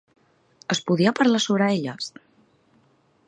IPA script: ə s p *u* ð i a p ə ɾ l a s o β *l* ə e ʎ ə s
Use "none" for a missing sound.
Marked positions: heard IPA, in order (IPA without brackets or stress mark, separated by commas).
u, ɾ